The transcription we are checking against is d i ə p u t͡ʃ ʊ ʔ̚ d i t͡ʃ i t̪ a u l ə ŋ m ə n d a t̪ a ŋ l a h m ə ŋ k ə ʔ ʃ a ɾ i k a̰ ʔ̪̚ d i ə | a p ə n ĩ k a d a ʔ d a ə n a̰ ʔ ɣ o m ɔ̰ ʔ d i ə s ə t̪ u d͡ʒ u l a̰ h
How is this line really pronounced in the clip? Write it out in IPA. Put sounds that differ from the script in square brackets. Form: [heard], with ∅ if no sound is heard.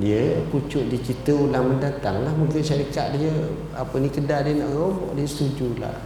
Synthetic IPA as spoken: d i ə p u t͡ʃ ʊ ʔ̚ d i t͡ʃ i t̪ [ə] u l [a] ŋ m ə n d a t̪ a ŋ l a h m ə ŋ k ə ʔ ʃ a ɾ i k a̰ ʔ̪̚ d i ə | a p ə n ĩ k [ə] d a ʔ d [i] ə n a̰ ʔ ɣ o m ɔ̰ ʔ d i ə s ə t̪ u d͡ʒ u l a̰ h